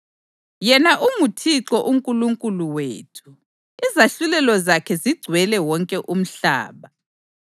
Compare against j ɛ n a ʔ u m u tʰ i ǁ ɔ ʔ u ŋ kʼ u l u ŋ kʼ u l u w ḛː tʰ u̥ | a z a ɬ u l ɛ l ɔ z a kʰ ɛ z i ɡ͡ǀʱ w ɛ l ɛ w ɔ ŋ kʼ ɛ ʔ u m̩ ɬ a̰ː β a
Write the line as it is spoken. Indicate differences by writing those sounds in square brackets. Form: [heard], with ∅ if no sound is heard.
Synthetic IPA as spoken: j ɛ n a ʔ u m u tʰ i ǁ ɔ ʔ u ŋ kʼ u l u ŋ kʼ u l u w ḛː tʰ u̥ | [i] z a ɬ u l ɛ l ɔ z a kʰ ɛ z i ɡ͡ǀʱ w ɛ l ɛ w ɔ ŋ kʼ ɛ ʔ u m̩ ɬ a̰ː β a